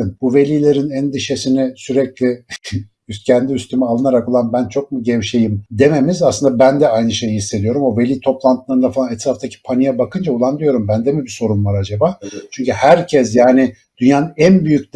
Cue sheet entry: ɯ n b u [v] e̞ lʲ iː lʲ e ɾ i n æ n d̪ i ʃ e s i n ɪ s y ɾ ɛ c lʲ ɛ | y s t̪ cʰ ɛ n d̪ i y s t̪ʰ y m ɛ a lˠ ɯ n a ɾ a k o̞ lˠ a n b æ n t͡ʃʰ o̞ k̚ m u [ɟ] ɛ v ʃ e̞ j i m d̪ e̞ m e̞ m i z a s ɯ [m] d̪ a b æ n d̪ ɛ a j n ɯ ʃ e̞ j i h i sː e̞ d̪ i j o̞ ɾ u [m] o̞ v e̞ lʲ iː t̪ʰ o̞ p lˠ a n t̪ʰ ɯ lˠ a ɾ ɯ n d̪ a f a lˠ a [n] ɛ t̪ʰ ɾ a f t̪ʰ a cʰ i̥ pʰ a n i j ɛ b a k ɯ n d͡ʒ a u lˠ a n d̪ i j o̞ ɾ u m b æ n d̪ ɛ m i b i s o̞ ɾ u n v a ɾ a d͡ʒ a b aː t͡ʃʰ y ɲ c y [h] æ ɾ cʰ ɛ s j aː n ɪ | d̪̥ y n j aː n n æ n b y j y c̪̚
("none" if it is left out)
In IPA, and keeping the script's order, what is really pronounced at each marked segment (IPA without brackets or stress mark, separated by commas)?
v, ɟ, n, m, n, h